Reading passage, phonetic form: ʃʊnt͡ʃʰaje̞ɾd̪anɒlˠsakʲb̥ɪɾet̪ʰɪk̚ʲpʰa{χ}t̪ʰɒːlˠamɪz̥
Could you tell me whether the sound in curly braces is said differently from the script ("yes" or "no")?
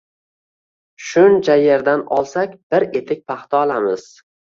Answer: no